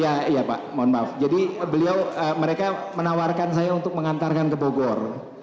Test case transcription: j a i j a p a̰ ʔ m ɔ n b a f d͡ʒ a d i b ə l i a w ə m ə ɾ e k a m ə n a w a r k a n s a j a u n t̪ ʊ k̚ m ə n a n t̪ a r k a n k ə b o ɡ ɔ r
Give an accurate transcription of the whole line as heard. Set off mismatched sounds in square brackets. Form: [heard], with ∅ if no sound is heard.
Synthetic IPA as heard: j a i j a p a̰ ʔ m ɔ n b a f d͡ʒ a d i b ə l i a w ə m ə ɾ e k a m ə n a w a r k a n s a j a u n t̪ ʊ k̚ m ə [ŋ] a n t̪ a r k a n k ə b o ɡ ɔ r